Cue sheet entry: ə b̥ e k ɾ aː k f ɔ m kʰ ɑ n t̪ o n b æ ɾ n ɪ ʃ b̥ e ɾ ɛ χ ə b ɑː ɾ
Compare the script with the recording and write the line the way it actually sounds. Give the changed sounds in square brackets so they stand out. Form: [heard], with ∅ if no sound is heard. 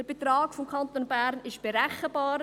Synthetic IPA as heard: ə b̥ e [t] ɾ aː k f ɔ m kʰ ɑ n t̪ o n b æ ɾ n ɪ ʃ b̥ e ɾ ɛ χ ə b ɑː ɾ